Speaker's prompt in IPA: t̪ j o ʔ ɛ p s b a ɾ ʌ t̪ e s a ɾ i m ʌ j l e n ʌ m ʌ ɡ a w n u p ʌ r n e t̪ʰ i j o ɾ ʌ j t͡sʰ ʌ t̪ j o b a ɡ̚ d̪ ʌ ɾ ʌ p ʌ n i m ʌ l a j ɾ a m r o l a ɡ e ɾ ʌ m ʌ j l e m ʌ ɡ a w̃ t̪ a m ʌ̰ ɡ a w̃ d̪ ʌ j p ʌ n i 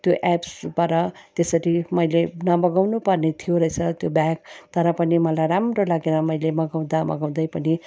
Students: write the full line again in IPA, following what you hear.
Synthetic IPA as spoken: t̪ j o ʔ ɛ p s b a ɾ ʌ t̪ e s ʌ ɾ i m ʌ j l e n ʌ m ʌ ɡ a w n u p ʌ r n e t̪ʰ i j o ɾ ʌ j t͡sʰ ʌ t̪ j o b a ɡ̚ t̪ ʌ ɾ ʌ p ʌ n i m ʌ l a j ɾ a m r o l a ɡ e ɾ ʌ m ʌ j l e m ʌ ɡ a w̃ d̪ a m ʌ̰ ɡ a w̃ d̪ ʌ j p ʌ n i